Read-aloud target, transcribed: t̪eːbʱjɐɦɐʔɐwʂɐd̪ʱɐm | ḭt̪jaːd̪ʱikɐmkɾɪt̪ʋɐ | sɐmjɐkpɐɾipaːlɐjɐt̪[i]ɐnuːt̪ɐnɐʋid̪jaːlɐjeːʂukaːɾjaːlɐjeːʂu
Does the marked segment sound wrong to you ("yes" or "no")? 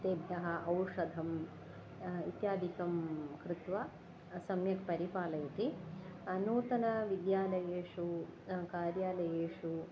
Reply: no